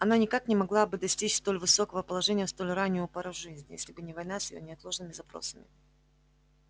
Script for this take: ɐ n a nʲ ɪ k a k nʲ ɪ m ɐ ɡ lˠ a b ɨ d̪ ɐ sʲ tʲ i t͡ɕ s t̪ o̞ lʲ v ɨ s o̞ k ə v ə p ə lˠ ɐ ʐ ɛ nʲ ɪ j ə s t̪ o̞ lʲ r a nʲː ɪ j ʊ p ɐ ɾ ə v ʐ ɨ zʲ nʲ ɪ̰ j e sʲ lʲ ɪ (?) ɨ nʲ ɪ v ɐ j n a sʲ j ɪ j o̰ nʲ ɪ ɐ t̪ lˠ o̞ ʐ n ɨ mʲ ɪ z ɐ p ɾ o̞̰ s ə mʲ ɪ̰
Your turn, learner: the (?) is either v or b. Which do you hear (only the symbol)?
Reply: b